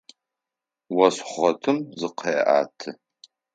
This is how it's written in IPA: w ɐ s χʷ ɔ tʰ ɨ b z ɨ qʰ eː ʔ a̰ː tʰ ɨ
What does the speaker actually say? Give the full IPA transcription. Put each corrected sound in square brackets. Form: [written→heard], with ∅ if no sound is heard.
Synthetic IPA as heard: w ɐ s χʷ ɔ tʰ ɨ [b→m] z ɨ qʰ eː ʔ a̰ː tʰ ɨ